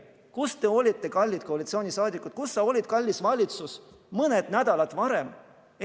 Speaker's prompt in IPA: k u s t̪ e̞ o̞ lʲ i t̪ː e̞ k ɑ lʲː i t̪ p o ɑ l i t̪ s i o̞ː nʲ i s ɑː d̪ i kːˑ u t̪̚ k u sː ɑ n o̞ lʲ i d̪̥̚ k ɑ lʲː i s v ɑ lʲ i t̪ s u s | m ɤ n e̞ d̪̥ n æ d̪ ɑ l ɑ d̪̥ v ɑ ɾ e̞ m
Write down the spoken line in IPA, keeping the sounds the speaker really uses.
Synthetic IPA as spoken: k u s t̪ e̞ o̞ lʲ i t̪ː e̞ k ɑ lʲː i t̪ k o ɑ l i t̪ s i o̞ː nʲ i s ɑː d̪ i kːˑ u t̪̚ k u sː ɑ o̞ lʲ i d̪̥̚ k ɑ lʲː i s v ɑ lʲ i t̪ s u s | m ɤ n e̞ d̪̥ n æ d̪ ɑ l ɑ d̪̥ v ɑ ɾ e̞ m